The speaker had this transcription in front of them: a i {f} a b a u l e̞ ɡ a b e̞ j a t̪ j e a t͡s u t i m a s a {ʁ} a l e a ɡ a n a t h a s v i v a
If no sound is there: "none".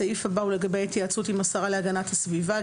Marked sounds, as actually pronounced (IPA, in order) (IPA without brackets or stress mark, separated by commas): f, ʁ